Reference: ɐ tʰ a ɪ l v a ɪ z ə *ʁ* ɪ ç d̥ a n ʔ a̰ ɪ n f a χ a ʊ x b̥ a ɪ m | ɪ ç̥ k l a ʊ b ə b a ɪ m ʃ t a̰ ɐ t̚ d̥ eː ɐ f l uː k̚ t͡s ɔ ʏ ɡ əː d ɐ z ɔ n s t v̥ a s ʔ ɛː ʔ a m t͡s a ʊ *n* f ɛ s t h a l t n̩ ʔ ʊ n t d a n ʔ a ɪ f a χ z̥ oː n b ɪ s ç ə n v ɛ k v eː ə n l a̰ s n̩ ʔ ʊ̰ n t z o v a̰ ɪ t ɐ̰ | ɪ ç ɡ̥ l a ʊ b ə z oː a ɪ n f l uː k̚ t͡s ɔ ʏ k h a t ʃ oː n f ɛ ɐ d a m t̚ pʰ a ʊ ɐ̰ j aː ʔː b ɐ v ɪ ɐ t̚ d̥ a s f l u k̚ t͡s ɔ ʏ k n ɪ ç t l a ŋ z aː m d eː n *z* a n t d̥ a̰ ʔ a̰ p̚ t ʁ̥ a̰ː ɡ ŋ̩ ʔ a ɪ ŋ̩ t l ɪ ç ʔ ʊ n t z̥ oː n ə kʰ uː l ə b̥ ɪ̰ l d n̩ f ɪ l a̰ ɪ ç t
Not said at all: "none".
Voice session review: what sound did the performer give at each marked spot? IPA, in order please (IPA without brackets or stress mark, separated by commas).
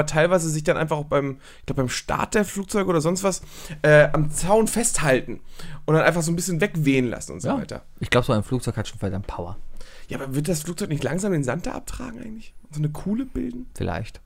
z, n, z